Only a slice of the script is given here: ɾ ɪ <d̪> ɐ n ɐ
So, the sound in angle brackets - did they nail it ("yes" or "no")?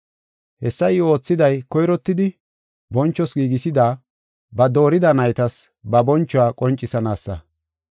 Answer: yes